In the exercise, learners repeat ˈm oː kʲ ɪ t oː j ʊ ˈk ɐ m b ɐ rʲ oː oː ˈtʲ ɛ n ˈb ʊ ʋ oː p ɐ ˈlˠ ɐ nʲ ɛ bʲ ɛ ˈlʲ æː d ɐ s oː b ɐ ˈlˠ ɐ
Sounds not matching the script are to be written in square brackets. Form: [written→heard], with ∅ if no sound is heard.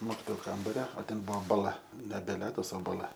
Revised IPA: ˈm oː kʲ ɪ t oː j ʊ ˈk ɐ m b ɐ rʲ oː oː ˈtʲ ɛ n ˈb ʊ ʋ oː [p→b] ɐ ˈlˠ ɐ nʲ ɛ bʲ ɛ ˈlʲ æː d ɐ s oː b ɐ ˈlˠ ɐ